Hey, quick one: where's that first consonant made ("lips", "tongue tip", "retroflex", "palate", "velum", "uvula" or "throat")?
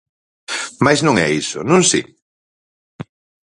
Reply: lips